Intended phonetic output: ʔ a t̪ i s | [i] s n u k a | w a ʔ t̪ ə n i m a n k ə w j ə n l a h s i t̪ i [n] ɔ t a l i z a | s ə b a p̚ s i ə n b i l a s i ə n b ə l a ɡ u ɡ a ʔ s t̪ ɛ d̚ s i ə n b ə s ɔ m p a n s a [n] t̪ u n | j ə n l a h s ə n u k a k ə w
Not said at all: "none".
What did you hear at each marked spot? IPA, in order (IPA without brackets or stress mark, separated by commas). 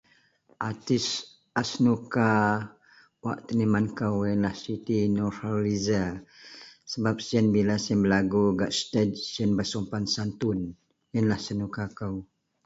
a, n, n